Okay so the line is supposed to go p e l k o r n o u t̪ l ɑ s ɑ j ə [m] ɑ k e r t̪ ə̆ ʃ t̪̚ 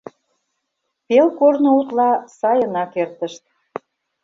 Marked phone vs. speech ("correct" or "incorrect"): incorrect